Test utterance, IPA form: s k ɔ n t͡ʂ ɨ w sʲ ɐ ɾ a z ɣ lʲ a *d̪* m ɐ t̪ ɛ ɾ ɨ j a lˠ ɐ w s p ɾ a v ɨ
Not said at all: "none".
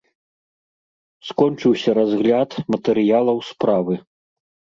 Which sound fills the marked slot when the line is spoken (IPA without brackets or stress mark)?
t̪